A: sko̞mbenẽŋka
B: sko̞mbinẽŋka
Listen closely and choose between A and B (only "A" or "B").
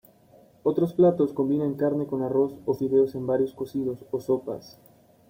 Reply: B